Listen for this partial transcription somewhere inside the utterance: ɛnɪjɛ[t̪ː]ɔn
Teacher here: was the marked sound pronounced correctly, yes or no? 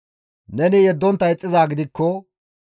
no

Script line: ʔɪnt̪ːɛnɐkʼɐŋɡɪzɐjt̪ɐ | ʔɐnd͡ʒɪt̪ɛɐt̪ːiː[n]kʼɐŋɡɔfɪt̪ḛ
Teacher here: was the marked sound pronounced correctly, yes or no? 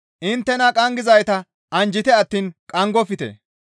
yes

